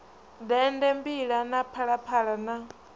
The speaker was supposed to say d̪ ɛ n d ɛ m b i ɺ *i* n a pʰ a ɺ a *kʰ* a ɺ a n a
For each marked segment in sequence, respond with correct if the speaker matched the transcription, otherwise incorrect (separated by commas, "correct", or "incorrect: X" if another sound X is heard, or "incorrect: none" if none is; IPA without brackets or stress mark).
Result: incorrect: a, incorrect: pʰ